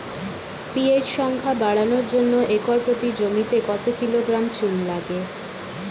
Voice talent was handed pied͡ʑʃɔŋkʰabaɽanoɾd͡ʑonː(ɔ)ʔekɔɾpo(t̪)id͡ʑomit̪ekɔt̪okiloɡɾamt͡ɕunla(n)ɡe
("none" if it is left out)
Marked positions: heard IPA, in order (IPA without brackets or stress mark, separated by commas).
o, t̪, none